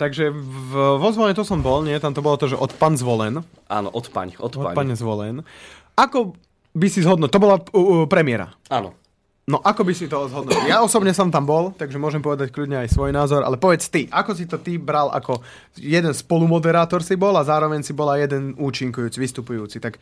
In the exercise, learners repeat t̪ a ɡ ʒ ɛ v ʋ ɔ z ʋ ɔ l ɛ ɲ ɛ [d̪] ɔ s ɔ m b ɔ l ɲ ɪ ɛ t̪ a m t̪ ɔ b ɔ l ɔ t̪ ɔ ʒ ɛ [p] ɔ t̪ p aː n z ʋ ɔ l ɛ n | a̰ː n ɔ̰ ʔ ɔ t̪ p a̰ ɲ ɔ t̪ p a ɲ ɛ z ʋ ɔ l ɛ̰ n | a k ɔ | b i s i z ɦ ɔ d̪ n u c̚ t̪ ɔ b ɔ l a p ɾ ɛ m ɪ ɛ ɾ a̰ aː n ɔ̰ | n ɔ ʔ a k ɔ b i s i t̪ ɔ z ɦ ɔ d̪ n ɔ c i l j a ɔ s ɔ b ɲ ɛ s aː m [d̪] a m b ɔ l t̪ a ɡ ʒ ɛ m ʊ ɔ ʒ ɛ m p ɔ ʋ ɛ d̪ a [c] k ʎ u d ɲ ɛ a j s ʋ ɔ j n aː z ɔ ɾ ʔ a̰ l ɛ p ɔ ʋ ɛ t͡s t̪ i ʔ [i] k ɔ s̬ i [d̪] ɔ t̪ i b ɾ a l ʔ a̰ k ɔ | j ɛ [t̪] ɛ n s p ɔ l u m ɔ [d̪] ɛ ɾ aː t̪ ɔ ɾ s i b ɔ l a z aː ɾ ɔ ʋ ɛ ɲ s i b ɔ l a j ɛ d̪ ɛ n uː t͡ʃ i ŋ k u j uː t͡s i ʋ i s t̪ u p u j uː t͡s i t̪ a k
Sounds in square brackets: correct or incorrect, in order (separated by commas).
incorrect, incorrect, incorrect, correct, incorrect, incorrect, incorrect, correct